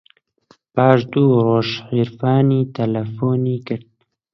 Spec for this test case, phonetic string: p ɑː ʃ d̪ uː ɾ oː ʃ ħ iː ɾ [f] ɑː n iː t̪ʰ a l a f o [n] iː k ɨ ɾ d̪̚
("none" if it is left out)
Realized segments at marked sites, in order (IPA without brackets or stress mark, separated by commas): f, n